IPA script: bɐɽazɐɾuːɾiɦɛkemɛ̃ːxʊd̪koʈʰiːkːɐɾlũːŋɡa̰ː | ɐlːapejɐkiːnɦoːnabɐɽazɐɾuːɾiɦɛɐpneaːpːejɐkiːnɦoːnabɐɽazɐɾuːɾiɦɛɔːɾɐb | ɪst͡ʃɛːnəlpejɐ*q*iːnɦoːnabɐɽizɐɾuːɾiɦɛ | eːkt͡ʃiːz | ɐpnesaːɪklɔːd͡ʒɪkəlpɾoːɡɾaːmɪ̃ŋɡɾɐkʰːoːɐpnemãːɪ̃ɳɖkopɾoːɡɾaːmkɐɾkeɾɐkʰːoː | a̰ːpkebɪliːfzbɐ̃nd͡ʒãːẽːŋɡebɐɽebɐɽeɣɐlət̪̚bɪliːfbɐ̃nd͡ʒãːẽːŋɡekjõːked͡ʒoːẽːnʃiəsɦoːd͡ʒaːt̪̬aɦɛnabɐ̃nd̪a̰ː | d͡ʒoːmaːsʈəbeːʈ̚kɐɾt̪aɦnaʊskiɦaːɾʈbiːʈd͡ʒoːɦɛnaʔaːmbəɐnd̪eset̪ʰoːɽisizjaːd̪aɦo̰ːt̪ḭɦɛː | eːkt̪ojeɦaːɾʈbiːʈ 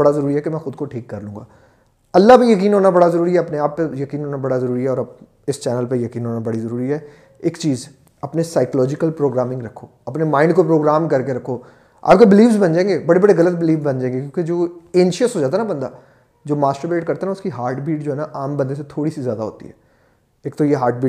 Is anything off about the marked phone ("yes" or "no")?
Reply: yes